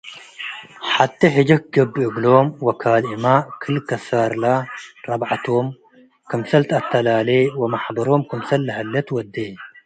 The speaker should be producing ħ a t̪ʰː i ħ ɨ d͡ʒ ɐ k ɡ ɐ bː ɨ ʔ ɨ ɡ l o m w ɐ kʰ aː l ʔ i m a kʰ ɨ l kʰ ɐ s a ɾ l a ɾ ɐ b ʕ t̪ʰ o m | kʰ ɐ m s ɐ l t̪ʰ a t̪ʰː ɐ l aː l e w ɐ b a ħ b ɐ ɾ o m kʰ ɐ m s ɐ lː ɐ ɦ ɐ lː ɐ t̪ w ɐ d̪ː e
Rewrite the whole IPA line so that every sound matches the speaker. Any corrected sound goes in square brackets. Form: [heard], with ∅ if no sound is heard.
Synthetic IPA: ħ a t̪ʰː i ħ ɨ d͡ʒ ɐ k ɡ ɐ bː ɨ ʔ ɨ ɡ l o m w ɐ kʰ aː l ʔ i m a kʰ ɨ l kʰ ɐ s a ɾ l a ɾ ɐ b ʕ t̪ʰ o m | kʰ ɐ m s ɐ l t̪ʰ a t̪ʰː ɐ l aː l e w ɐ [m] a ħ b ɐ ɾ o m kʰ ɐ m s ɐ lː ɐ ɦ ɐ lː ɐ t̪ w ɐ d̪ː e